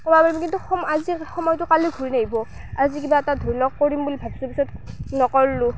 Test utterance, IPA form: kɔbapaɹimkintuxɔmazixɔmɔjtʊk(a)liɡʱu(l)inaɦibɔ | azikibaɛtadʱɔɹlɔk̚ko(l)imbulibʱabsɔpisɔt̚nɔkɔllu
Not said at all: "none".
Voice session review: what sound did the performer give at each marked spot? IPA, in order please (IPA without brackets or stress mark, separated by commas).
a, ɹ, ɹ